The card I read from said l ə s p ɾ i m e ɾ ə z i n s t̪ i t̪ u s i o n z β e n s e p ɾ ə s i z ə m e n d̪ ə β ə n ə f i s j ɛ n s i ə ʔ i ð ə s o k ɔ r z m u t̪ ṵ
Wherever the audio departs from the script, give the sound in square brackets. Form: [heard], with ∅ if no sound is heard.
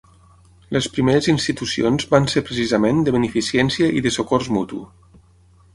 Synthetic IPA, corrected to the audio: l ə s p ɾ i m e ɾ ə z i n s t̪ i t̪ u s i o n z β [a] n s e p ɾ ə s i z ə m e n d̪ ə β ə n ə f i s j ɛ n s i ə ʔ i ð ə s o k ɔ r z m u t̪ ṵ